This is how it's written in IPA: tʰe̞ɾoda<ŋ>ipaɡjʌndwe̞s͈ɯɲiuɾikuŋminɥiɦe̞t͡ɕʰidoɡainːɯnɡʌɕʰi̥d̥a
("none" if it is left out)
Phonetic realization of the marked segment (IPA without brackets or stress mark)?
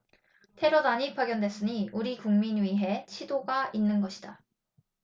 ɲ